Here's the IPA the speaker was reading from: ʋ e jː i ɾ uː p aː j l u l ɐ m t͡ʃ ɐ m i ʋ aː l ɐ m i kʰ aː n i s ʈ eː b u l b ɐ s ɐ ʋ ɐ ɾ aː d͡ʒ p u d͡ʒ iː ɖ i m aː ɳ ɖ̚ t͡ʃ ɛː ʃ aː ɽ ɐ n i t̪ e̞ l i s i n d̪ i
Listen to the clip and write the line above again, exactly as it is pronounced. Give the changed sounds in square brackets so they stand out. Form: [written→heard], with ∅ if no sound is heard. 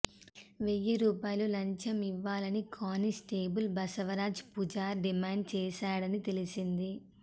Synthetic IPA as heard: ʋ e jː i ɾ uː p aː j l u l ɐ [m→ɲ] t͡ʃ ɐ m i [ʋ→ʋː] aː l ɐ [m→n] i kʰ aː n i s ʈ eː b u l b ɐ s ɐ ʋ ɐ ɾ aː d͡ʒ p u d͡ʒ [iː→aː] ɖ i m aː ɳ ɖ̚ t͡ʃ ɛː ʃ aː ɽ ɐ n i t̪ e̞ l i s i n d̪ i